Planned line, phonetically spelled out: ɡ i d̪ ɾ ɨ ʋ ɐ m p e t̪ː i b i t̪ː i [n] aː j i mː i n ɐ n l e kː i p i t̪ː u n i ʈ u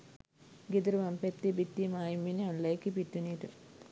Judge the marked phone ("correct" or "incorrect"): incorrect